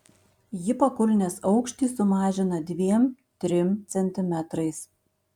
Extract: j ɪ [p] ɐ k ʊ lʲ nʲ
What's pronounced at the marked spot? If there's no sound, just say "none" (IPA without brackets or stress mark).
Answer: p